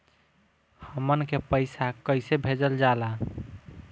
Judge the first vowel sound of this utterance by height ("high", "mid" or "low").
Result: mid